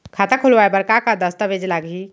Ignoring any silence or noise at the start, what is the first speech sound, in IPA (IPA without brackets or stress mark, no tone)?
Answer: kʰ